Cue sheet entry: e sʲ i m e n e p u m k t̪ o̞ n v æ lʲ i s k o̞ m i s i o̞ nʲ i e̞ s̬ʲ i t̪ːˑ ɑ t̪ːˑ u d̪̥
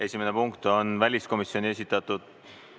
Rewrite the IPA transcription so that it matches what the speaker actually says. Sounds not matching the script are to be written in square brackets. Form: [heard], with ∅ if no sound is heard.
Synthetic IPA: e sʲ i m e n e p u [ŋ] k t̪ o̞ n v æ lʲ i s k o̞ m i s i o̞ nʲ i e̞ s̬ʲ i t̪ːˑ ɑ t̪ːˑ u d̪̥